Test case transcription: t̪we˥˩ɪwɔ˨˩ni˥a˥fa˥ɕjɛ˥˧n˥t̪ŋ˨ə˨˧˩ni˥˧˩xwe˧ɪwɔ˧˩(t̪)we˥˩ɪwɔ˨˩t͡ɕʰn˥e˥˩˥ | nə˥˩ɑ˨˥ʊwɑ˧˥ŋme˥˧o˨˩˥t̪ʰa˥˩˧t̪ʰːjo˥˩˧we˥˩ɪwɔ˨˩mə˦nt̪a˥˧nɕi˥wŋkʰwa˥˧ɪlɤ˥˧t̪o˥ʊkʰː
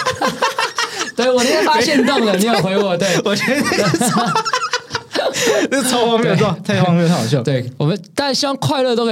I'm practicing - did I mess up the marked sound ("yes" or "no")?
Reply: no